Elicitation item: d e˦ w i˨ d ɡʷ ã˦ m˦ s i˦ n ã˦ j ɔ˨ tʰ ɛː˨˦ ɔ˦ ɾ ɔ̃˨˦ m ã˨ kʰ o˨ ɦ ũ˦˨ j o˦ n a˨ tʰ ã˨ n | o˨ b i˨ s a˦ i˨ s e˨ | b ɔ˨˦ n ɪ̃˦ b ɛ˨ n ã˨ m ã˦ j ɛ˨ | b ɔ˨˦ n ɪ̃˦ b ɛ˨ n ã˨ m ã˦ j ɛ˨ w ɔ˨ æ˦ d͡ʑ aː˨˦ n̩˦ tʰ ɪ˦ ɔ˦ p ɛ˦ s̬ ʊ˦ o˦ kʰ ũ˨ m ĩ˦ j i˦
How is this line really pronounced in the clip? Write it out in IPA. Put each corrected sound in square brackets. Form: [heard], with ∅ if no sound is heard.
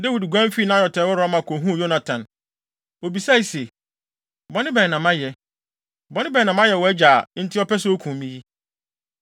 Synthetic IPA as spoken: d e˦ w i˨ d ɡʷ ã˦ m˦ [f] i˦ n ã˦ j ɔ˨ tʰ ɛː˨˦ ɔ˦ ɾ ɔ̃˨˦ m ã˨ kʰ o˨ ɦ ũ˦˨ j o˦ n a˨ tʰ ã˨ n | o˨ b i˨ s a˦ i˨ s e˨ | b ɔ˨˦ n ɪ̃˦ b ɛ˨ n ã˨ m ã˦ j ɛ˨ | b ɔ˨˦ n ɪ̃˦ b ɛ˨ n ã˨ m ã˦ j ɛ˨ w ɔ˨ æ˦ d͡ʑ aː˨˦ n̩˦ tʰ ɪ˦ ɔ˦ p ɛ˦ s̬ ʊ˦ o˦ kʰ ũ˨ m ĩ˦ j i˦